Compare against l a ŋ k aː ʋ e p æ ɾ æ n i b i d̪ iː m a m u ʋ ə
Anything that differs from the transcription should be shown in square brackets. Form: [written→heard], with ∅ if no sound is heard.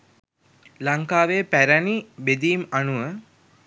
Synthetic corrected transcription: l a ŋ k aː ʋ e p æ ɾ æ n i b [i→e] d̪ iː m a [m→n] u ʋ ə